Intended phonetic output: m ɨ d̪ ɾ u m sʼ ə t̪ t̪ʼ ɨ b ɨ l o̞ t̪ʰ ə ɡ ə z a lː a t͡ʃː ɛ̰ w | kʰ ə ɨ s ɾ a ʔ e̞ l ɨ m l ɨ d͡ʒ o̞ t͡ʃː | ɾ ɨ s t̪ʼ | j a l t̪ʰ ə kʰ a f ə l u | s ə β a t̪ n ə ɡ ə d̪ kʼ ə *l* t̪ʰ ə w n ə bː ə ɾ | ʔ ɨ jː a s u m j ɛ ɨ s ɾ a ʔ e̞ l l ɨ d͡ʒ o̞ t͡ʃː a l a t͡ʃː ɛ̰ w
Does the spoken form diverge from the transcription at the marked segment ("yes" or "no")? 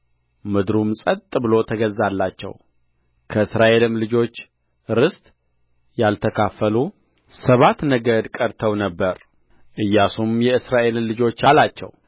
yes